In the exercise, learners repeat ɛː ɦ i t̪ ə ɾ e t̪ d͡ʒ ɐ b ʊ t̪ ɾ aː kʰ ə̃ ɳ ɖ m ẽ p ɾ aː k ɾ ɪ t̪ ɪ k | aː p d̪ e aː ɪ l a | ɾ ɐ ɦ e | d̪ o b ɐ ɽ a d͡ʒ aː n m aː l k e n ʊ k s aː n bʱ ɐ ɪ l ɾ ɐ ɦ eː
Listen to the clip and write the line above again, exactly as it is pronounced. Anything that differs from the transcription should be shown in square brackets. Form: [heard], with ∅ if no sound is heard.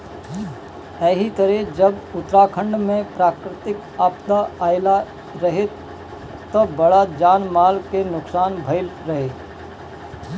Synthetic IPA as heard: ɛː ɦ i t̪ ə ɾ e [∅] d͡ʒ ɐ b ʊ t̪ ɾ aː kʰ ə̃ ɳ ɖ m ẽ p ɾ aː k ɾ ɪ t̪ ɪ k | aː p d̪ [a] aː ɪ l a | ɾ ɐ ɦ e | [t̪] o b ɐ ɽ a d͡ʒ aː n m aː l k e n ʊ k s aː n bʱ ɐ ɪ l ɾ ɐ ɦ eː

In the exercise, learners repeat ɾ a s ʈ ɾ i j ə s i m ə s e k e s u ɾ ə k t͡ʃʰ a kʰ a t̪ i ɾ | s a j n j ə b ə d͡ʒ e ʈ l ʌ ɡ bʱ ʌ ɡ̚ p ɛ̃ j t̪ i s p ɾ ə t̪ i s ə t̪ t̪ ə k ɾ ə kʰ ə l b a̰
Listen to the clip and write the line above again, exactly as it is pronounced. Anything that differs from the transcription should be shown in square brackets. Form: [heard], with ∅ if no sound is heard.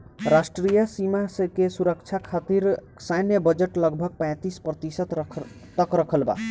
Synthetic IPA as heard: ɾ a s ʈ ɾ i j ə s i m [a] s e k e s u ɾ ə k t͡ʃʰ a kʰ a t̪ i ɾ | s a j n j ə b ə d͡ʒ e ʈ l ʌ ɡ bʱ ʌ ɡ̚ p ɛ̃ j t̪ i s p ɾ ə t̪ i s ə t̪ t̪ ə k ɾ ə kʰ ə l b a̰

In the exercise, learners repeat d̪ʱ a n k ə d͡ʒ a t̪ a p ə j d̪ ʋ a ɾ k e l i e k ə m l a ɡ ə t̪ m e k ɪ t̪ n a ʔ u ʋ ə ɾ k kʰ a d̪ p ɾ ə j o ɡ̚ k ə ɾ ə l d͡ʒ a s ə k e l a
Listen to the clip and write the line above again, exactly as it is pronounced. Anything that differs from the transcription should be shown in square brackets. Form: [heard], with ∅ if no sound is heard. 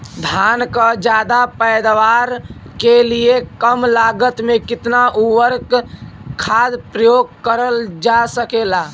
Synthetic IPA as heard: d̪ʱ a n k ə d͡ʒ a [d̪] a p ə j d̪ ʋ a ɾ k e l i e k ə m l a ɡ ə t̪ m e k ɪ t̪ n a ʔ u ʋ ə ɾ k kʰ a d̪ p ɾ ə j o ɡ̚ k ə ɾ ə l d͡ʒ a s ə k e l a

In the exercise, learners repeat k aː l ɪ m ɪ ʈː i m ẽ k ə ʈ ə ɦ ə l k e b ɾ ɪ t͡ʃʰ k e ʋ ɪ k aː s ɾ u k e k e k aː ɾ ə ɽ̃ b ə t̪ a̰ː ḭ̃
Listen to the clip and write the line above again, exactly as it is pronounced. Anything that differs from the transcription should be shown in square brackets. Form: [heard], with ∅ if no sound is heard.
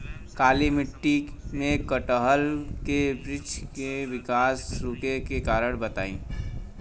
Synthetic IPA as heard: k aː l [i] m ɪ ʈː i m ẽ k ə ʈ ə ɦ ə l k e b ɾ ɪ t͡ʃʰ k e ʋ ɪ k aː s ɾ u k e k e k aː ɾ ə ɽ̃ b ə t̪ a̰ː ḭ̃

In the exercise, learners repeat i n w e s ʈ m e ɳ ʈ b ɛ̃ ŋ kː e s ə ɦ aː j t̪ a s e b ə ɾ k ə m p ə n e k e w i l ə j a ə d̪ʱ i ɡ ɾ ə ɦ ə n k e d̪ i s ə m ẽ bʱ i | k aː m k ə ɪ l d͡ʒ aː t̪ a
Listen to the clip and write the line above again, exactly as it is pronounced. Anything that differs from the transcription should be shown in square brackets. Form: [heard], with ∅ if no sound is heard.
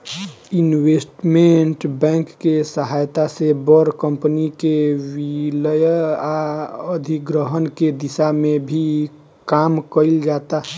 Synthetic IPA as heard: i n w e s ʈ m e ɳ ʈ b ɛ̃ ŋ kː e s ə ɦ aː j t̪ a s e b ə ɾ k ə m p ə n [i] k e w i l ə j a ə d̪ʱ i ɡ ɾ ə ɦ ə n k e d̪ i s [a] m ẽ bʱ i | k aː m k ə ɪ l d͡ʒ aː t̪ a

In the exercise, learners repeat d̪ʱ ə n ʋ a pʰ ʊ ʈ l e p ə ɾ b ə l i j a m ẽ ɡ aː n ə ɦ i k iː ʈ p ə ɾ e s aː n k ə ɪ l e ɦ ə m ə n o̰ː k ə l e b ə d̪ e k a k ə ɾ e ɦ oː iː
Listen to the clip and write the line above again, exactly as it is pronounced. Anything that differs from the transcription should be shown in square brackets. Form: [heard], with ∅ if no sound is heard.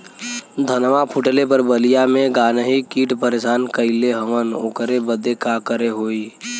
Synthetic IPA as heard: d̪ʱ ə n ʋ a pʰ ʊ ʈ l e p ə ɾ b ə l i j a m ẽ ɡ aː n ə ɦ i k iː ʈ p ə ɾ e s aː n k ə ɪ l e ɦ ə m ə n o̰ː k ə [ɾ] e b ə d̪ e k a k ə ɾ e ɦ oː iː

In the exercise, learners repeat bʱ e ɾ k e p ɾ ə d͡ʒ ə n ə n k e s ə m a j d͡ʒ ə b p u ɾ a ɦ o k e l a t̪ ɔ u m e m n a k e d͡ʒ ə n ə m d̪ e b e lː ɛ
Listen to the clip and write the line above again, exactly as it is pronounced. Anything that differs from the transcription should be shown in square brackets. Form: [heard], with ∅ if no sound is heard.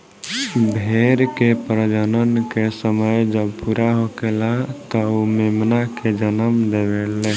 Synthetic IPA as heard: bʱ e ɾ k e p ɾ ə d͡ʒ ə n ə n k e s ə m [ə] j d͡ʒ ə b p u ɾ a ɦ o k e l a t̪ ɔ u m e m n a k e d͡ʒ ə n ə m d̪ e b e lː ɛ

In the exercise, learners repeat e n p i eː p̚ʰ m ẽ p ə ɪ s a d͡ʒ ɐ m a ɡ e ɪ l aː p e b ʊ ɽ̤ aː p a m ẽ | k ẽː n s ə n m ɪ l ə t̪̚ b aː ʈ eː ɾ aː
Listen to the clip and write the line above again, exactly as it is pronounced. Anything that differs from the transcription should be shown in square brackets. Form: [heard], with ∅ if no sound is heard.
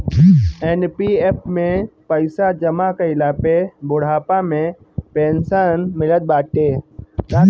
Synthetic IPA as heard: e n p i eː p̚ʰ m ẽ p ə ɪ s a d͡ʒ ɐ m a [k] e ɪ l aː p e b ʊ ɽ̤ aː p a m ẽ | [p] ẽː n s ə n m ɪ l ə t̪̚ b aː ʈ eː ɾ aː

